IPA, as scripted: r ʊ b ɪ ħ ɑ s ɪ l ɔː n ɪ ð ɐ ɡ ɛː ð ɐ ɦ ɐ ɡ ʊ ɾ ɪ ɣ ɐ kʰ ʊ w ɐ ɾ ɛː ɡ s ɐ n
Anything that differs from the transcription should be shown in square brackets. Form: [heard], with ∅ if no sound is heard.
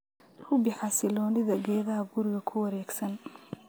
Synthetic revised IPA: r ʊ b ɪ ħ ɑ s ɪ l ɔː n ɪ ð ɐ ɡ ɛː ð ɐ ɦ ɐ ɡ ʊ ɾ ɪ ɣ ɐ kʰ ʊ w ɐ ɾ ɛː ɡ s ɐ n